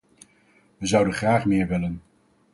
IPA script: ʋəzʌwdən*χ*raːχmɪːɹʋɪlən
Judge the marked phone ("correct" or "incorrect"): correct